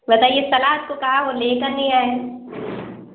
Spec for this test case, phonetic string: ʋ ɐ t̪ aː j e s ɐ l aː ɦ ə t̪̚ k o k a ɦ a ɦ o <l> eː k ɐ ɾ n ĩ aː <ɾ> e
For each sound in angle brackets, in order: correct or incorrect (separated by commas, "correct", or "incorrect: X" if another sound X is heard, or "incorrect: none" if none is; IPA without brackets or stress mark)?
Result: correct, incorrect: none